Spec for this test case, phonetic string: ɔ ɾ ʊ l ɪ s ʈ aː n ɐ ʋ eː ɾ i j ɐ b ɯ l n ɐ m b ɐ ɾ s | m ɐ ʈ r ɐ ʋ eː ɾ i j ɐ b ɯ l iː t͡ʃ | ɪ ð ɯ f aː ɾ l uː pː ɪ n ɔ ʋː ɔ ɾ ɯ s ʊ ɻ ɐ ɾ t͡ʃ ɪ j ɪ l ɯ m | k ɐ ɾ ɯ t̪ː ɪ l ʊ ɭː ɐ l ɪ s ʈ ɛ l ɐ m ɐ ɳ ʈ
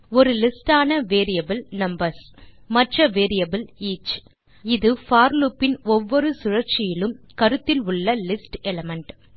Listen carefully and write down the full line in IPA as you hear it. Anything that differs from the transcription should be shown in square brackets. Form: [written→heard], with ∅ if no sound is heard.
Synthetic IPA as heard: ɔ ɾ [ʊ→ɯ] l ɪ s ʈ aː n ɐ ʋ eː ɾ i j ɐ b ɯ l n ɐ m b ɐ ɾ s | m ɐ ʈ r ɐ ʋ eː ɾ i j ɐ b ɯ l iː t͡ʃ | ɪ ð ɯ f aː ɾ l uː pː ɪ n ɔ ʋː ɔ ɾ ɯ s ʊ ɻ ɐ ɾ t͡ʃ ɪ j ɪ l ɯ m | k ɐ ɾ ɯ t̪ː ɪ l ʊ ɭː ɐ l ɪ s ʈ ɛ l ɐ m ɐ ɳ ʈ

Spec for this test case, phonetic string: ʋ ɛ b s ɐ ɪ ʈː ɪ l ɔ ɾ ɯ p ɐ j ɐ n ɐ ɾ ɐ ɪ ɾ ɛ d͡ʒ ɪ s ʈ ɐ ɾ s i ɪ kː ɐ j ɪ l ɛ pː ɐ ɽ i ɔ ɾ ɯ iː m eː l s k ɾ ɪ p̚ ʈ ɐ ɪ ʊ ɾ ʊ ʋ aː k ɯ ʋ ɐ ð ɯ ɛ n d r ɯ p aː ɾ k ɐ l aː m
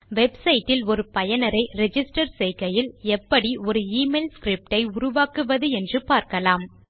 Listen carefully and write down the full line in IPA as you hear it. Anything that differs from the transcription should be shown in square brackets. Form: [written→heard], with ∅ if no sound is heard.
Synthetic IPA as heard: ʋ ɛ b s ɐ ɪ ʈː ɪ l ɔ ɾ ɯ p ɐ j ɐ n ɐ ɾ ɐ ɪ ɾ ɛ d͡ʒ ɪ s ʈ ɐ ɾ s [i→ɛ] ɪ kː ɐ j ɪ l ɛ pː ɐ ɽ i ɔ ɾ ɯ iː m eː l s k ɾ ɪ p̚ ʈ ɐ ɪ ʊ ɾ ʊ ʋ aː k ɯ ʋ ɐ ð ɯ ɛ n d r ɯ p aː ɾ k ɐ l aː m

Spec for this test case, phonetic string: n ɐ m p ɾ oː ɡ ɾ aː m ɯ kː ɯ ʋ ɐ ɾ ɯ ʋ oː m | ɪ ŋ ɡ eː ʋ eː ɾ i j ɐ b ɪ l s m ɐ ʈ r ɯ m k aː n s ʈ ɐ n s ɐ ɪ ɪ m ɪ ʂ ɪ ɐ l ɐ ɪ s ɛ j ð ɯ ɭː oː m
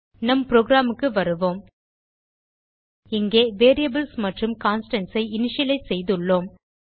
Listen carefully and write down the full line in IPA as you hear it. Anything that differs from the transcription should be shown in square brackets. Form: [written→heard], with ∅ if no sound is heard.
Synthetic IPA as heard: n ɐ m p ɾ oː ɡ ɾ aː m ɯ kː ɯ ʋ ɐ ɾ ɯ ʋ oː m | ɪ ŋ ɡ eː ʋ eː ɾ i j ɐ b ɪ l s m ɐ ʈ r ɯ m k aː n s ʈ ɐ n s ɐ ɪ ɪ [m→n] ɪ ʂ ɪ ɐ l ɐ ɪ s ɛ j ð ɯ ɭː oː m

